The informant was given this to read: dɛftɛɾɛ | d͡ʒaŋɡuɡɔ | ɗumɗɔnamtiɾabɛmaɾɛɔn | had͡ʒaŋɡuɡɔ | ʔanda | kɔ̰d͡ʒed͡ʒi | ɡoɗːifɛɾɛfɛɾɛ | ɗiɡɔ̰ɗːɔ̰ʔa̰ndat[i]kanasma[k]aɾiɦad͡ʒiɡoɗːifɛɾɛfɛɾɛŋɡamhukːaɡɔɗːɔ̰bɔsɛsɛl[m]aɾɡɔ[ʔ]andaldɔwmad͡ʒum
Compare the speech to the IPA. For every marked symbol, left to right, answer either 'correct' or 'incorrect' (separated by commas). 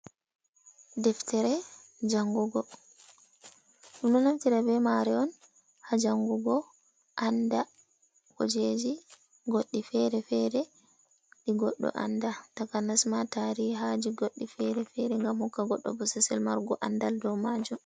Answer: incorrect, incorrect, correct, correct